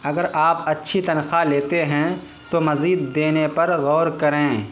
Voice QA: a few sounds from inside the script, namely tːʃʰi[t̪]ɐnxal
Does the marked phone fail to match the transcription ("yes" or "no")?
no